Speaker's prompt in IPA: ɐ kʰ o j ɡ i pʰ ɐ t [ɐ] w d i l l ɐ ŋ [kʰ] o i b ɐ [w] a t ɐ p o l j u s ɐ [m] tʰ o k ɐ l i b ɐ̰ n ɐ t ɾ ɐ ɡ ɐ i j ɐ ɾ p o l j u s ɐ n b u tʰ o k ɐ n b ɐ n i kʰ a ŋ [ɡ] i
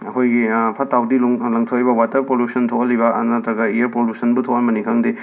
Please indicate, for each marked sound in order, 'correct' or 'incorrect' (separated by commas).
incorrect, incorrect, correct, incorrect, incorrect